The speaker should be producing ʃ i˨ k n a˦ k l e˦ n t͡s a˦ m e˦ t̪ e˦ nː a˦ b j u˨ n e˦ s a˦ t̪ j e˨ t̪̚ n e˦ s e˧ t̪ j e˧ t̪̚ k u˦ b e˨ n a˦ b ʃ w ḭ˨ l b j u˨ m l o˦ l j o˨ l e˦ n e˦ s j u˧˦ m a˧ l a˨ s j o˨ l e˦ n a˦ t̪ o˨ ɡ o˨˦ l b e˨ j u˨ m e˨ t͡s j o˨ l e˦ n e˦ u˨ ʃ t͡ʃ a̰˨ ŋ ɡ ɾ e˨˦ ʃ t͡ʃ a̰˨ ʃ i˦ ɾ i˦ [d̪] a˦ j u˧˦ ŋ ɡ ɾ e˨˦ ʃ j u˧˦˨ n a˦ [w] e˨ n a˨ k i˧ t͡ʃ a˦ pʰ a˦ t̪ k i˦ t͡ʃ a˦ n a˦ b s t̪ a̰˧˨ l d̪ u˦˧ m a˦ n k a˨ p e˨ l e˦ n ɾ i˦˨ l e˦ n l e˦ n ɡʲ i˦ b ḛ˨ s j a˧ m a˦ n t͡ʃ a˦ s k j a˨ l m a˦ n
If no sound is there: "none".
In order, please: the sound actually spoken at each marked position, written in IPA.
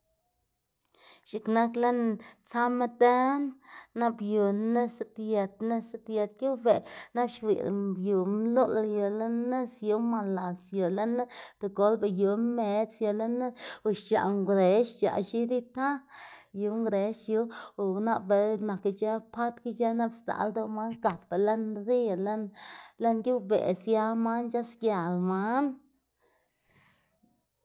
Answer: t̪, b

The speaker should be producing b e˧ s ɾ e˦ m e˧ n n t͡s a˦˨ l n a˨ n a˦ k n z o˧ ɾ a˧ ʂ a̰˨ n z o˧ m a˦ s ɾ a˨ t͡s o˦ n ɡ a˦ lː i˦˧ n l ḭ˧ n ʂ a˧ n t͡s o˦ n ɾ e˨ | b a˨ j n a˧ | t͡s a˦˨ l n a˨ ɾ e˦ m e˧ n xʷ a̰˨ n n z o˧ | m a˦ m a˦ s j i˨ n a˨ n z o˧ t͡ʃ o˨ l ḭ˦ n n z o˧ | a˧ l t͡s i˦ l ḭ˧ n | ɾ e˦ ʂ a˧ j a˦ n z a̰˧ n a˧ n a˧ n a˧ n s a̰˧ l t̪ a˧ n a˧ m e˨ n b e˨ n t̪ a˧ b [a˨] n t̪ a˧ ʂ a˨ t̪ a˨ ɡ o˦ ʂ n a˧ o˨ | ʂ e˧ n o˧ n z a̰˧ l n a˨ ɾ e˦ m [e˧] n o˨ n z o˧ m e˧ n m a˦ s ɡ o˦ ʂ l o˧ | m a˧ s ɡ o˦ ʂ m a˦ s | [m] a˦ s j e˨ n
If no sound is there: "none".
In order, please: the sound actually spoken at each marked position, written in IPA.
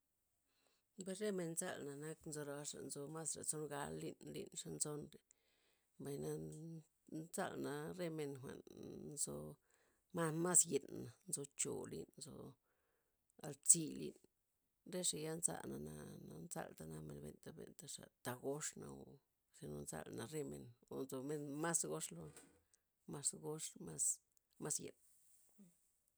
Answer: e˨, e˧, m

